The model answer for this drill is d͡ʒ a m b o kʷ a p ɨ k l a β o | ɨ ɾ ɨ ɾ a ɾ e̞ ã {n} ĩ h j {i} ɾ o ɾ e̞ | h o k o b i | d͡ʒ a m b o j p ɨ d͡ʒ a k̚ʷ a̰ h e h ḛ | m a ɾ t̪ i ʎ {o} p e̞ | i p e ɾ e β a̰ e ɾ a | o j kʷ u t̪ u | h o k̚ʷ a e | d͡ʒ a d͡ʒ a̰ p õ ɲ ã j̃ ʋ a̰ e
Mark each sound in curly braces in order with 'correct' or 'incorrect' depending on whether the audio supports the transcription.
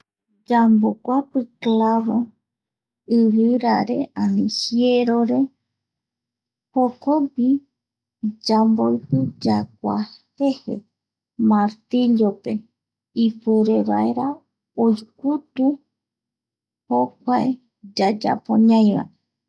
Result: correct, incorrect, correct

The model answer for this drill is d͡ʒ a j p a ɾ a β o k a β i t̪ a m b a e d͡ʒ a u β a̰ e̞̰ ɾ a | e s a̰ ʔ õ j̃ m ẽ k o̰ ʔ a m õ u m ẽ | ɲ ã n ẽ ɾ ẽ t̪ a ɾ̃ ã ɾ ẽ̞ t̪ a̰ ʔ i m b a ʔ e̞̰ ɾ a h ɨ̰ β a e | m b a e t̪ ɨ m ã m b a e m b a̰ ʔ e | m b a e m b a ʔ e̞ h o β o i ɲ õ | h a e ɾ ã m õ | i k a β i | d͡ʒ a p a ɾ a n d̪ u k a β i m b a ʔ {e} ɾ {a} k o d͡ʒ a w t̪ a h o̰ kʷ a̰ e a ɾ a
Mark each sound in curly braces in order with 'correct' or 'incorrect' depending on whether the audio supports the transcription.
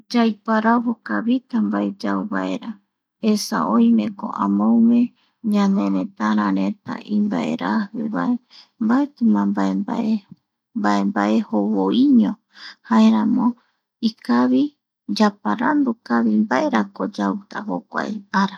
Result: correct, correct

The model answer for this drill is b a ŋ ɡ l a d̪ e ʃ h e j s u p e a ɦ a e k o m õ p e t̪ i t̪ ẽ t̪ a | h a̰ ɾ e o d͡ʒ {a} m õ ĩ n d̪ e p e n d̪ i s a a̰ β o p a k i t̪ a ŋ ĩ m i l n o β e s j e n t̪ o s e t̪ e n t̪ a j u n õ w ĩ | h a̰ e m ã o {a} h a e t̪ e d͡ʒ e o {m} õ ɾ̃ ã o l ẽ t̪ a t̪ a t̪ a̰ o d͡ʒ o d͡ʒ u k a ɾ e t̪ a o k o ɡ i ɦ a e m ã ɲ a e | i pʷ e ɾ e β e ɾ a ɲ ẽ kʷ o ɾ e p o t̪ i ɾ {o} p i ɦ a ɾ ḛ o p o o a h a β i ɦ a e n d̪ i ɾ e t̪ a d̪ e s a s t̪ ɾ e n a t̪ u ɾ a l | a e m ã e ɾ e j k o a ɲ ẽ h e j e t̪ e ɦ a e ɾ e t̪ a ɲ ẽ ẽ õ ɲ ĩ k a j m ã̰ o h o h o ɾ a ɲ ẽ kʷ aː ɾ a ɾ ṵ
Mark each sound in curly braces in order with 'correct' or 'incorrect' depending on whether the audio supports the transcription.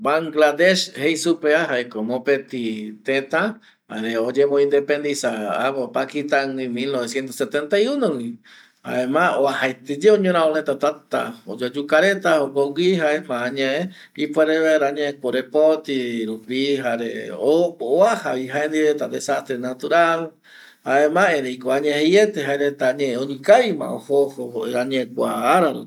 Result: incorrect, correct, incorrect, incorrect

